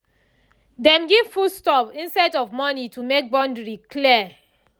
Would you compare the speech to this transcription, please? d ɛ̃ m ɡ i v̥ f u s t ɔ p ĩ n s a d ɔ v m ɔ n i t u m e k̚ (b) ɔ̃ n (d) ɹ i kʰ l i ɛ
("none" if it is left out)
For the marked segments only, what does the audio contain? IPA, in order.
b, d

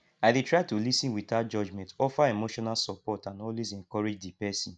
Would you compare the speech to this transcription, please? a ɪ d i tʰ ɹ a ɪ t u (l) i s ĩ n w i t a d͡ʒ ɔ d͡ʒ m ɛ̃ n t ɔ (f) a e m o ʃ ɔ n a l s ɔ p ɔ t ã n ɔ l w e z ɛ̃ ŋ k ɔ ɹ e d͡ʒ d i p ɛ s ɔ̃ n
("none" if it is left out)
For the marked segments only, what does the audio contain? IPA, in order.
l, f

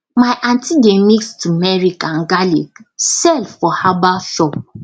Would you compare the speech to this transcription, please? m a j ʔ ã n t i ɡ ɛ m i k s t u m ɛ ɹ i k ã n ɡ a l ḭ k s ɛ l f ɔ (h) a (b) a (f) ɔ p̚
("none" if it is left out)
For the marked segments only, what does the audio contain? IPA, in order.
h, b, ʃ

